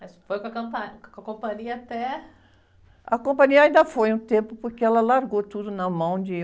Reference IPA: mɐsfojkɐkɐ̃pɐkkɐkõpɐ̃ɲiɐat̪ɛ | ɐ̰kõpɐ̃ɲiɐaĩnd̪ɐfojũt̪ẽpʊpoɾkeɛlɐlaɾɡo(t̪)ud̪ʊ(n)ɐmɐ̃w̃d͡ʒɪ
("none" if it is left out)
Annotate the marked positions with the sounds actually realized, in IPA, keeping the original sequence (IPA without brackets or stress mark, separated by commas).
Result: t̪, n